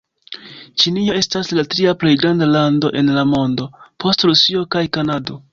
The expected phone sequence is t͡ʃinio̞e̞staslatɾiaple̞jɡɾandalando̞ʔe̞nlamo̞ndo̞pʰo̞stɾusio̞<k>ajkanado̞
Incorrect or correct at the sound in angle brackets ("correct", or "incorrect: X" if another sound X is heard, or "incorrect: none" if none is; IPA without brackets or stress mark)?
correct